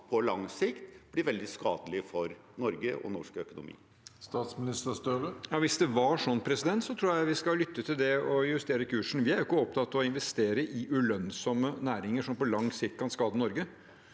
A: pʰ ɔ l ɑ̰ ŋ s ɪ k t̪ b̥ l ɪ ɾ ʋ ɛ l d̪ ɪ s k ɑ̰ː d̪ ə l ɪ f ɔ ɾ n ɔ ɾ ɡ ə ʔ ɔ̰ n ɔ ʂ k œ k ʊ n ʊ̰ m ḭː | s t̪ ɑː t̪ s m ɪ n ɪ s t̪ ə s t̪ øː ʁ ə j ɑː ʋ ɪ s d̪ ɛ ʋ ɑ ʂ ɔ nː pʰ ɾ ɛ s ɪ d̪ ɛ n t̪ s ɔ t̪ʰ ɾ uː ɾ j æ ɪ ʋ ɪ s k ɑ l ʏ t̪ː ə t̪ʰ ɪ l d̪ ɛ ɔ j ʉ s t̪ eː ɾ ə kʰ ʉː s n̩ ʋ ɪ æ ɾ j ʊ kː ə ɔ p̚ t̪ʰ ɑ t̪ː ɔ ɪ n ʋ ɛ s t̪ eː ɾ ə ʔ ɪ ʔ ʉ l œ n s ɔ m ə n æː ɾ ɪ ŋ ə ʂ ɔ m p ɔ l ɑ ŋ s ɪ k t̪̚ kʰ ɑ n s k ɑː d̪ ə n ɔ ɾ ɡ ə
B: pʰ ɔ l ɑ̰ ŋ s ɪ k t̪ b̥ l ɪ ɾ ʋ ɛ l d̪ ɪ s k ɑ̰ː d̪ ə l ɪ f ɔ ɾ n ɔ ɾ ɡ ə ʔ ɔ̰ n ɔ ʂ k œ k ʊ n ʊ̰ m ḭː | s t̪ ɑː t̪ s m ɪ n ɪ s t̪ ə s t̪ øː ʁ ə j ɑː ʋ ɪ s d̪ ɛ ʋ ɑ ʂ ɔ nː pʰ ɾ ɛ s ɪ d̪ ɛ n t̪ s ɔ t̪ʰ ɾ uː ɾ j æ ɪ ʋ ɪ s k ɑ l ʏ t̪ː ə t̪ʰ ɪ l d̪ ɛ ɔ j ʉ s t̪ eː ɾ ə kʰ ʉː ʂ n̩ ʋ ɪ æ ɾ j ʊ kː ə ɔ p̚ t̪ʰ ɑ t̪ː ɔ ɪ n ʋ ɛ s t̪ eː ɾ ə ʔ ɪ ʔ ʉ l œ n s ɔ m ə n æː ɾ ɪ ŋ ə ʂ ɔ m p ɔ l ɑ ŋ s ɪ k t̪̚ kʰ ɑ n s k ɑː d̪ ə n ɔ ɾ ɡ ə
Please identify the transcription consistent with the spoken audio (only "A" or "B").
B